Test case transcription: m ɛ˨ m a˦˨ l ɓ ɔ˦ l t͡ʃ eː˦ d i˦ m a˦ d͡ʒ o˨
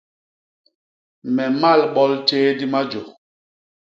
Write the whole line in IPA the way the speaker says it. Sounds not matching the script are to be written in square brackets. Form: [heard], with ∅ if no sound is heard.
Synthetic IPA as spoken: m ɛ˨ m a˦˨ l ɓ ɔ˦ l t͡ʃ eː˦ d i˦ m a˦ d͡ʒ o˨